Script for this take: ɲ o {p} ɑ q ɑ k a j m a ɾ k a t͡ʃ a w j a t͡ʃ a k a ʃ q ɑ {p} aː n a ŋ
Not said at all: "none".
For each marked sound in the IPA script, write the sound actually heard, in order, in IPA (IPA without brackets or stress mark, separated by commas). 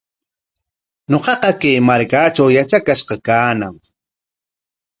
q, k